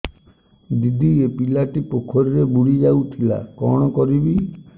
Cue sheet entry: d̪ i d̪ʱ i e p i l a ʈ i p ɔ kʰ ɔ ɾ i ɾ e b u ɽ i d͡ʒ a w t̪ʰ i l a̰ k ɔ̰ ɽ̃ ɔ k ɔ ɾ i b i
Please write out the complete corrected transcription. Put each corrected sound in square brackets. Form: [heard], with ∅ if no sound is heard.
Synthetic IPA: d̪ i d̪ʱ i e p i l a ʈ i p [o] kʰ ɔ ɾ i ɾ e b u ɽ i d͡ʒ a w t̪ʰ i l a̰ k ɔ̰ ɽ̃ ɔ k ɔ ɾ i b i